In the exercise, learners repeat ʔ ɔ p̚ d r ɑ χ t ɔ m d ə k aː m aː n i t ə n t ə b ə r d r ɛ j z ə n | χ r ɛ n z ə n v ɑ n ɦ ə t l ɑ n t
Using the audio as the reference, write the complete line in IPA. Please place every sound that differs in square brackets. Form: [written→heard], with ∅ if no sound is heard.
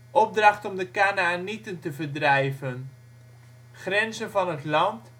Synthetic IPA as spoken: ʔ ɔ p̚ d r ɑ χ t ɔ m d ə k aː [m→n] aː n i t ə n t ə [b→v] ə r d r ɛ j [z→v] ə n | χ r ɛ n z ə n v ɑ n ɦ ə t l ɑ n t